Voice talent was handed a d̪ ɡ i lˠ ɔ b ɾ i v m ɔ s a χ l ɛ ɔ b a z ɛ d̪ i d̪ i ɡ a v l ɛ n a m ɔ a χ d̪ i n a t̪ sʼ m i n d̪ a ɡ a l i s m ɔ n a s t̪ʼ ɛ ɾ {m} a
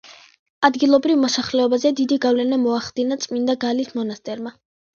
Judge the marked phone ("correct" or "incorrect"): correct